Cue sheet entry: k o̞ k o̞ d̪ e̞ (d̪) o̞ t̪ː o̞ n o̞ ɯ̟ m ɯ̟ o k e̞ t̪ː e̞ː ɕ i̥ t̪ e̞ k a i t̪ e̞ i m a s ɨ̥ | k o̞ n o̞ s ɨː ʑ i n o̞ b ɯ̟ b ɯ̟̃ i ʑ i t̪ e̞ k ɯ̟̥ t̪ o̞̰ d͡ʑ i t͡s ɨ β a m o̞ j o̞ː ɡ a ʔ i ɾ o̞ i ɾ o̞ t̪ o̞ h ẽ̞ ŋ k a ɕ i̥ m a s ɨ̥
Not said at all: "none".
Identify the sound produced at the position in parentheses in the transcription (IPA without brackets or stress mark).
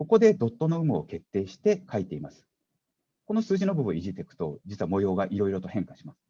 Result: d̪